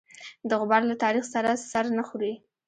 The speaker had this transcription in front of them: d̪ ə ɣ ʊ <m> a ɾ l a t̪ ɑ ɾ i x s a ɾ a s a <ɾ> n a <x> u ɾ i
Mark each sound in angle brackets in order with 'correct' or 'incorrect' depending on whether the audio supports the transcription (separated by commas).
incorrect, correct, correct